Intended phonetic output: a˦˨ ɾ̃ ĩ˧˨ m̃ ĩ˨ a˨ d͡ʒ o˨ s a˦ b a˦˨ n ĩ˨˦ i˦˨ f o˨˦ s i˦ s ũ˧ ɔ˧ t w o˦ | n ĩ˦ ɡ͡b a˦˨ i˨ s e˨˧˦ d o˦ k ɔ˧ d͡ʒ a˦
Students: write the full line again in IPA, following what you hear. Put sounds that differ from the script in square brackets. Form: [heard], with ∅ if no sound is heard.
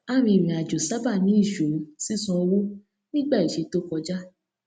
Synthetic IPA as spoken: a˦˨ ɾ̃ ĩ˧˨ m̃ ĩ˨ a˨ d͡ʒ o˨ s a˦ b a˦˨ n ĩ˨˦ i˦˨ [ʃ] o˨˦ s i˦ s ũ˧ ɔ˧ [∅] w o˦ | n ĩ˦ ɡ͡b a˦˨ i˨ [ʃ] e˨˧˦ [t] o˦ k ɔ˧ d͡ʒ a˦